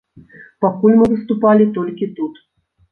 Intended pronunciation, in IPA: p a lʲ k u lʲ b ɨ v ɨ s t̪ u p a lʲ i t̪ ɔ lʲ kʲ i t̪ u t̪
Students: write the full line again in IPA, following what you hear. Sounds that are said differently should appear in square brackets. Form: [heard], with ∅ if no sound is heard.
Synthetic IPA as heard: p a [∅] k u lʲ [m] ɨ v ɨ s t̪ u p a lʲ i t̪ ɔ lʲ kʲ i t̪ u t̪